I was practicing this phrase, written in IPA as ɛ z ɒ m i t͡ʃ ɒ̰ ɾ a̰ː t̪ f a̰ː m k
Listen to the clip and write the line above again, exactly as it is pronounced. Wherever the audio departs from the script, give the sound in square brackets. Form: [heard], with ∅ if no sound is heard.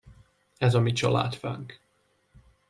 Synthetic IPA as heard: ɛ z ɒ m i t͡ʃ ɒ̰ [l] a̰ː t̪ f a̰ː [ŋ] k